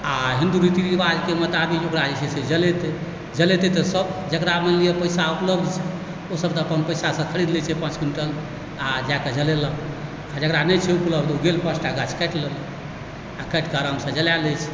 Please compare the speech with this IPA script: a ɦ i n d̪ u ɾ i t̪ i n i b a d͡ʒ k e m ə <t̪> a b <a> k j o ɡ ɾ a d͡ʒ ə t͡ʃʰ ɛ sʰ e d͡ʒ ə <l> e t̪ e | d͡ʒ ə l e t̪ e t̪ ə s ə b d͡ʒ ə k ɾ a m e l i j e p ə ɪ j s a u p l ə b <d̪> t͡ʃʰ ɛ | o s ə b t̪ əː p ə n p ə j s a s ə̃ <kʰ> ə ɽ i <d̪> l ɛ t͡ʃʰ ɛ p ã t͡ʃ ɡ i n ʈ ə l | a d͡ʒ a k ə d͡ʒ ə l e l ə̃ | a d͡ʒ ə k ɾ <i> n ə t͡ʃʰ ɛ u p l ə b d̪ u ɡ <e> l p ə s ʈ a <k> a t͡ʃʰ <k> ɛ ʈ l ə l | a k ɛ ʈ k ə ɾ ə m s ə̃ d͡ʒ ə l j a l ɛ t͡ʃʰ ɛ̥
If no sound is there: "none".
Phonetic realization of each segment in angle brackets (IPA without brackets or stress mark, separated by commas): t̪, i, l, d̪, kʰ, d̪, a, e, ɡ, k